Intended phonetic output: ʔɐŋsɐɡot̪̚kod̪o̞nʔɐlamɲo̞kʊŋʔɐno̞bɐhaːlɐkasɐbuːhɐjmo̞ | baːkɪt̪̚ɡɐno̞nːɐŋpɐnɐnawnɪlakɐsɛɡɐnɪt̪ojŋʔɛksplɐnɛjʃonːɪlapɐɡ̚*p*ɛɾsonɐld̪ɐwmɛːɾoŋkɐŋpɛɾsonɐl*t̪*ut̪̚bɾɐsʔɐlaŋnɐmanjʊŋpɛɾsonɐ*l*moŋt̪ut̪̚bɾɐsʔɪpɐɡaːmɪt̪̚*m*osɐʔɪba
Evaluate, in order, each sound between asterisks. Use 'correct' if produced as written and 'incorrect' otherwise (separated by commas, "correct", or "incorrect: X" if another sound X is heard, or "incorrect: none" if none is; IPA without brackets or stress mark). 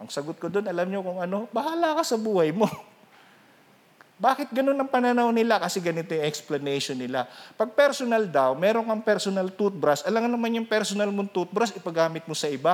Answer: correct, correct, correct, correct